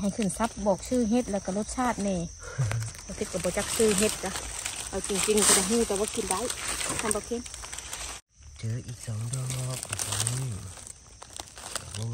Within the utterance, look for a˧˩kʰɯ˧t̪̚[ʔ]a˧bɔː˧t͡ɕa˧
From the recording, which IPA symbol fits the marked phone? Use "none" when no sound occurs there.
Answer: k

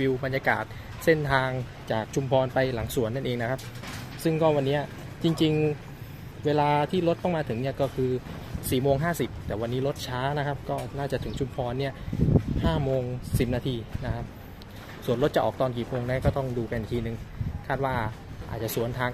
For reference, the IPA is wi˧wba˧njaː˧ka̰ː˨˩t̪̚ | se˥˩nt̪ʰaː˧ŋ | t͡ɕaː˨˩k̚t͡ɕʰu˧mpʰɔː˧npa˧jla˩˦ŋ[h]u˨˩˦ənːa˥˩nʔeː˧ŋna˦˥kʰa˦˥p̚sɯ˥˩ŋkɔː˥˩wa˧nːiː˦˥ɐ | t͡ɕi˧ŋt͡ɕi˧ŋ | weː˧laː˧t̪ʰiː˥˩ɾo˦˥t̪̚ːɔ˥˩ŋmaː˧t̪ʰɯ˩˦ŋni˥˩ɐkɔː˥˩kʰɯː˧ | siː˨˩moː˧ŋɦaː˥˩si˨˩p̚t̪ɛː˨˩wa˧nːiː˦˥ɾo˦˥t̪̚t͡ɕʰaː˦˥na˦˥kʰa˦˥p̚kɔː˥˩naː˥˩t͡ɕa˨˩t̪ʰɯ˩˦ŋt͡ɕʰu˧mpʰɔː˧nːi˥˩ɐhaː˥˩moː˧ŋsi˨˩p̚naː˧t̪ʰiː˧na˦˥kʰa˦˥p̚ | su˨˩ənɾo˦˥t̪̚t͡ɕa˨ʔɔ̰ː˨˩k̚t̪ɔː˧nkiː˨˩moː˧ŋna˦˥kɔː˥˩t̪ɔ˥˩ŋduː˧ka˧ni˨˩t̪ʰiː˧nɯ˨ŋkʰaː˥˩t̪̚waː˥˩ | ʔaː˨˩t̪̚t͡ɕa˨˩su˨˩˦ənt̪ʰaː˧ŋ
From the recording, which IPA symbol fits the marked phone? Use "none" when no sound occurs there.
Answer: s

